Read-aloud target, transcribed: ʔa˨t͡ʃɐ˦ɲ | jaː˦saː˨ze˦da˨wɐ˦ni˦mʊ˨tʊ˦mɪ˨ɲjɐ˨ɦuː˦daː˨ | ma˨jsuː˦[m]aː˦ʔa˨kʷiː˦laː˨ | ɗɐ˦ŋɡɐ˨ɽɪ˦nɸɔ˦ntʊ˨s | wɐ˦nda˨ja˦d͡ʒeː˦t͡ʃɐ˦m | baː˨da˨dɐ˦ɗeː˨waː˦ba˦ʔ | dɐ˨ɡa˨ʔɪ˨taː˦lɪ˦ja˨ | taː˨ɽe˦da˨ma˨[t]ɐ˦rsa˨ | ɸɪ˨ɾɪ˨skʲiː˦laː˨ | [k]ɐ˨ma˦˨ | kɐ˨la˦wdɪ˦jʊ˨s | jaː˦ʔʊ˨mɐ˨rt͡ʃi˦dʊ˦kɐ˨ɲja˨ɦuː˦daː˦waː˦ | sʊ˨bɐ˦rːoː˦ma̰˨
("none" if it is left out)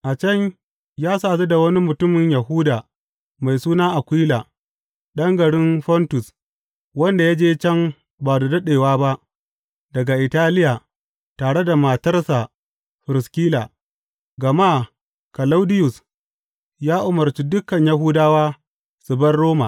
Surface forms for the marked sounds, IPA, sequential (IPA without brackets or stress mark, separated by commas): n, t, ɡ